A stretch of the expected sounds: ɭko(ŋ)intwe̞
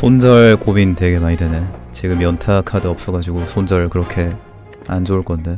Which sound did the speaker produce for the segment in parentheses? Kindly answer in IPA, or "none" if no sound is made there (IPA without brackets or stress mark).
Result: m